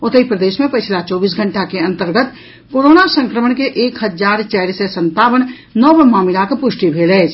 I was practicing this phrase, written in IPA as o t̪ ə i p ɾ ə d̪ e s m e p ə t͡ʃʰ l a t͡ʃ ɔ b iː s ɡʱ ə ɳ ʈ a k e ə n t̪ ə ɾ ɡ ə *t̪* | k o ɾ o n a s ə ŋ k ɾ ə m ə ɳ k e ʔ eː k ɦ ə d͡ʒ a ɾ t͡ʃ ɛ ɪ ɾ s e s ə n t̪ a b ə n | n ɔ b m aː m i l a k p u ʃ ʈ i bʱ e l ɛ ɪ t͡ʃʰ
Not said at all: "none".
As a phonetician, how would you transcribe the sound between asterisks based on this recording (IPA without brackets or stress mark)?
t̪